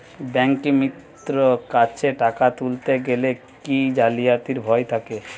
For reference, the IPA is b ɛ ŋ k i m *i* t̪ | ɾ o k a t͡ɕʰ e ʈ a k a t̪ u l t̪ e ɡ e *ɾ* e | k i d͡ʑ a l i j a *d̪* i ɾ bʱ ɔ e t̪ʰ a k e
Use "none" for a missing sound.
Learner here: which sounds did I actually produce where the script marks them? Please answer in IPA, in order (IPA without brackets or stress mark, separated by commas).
i, l, t̪